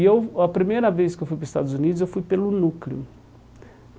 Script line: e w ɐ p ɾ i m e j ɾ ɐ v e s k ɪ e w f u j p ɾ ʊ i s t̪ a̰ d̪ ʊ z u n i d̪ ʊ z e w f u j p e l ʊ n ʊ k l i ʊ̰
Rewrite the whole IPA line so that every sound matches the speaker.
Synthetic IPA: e w ɐ p ɾ i m e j ɾ ɐ v e s k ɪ e w f u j p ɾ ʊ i s t̪ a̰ d̪ ʊ z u n i d̪ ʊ z e w f u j p e l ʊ n u k l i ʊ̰